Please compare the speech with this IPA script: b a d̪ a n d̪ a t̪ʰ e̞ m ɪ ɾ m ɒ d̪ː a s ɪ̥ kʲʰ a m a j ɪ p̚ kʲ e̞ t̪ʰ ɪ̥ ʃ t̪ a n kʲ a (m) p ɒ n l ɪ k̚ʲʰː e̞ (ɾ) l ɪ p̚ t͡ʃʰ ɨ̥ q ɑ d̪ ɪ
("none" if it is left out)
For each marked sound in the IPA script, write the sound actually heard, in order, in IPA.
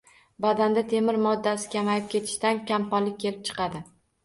m, none

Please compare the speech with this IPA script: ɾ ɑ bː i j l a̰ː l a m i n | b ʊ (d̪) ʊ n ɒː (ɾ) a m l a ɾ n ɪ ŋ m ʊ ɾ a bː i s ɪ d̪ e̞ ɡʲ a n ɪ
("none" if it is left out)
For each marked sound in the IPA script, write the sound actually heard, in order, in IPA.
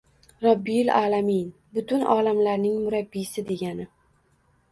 t̪, l

